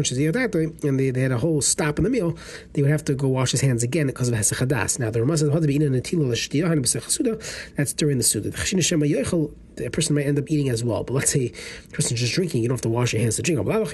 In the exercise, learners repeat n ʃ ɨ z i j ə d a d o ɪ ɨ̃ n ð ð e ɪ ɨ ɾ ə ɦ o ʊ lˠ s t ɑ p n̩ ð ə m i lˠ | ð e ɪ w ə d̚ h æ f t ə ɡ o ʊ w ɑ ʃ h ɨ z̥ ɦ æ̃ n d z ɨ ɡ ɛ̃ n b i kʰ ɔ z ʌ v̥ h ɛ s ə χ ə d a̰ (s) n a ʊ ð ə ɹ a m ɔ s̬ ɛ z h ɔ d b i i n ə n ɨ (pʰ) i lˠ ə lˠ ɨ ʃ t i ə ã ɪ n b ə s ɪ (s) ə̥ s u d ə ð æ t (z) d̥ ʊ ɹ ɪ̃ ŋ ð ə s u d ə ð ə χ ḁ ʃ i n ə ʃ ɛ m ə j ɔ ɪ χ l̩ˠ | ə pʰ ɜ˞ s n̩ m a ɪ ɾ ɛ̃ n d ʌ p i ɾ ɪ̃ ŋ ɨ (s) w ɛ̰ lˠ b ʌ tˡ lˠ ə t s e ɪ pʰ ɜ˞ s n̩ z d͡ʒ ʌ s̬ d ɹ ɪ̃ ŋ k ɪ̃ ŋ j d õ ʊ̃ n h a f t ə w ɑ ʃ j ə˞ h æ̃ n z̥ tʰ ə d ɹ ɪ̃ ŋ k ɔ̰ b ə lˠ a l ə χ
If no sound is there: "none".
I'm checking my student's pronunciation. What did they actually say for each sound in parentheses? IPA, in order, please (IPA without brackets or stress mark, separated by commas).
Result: s, tʰ, χ, s, z